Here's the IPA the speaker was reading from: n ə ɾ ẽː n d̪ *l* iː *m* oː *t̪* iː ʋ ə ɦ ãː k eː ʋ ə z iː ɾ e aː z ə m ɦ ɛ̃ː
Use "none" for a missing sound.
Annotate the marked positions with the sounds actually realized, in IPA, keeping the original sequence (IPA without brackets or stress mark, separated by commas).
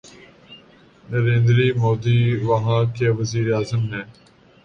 ɾ, m, d̪